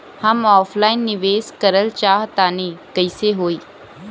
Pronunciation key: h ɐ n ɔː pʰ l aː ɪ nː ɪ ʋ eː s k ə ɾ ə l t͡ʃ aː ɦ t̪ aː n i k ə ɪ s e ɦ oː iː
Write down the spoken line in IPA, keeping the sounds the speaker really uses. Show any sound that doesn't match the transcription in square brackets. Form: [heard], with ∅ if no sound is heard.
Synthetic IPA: h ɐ [m] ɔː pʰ l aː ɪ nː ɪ ʋ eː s k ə ɾ ə l t͡ʃ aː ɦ t̪ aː n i k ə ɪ s e ɦ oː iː